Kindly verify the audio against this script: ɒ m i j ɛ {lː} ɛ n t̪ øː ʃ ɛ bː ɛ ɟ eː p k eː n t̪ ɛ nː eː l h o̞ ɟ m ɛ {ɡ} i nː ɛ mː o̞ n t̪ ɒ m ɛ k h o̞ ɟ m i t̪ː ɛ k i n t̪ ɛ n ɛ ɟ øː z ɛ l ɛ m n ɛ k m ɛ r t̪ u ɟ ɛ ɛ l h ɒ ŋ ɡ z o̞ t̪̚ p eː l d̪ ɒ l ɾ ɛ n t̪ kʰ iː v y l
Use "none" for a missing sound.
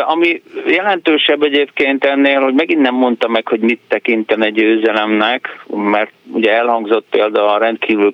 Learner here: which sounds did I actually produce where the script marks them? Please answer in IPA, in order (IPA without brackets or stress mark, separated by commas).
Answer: l, ɡ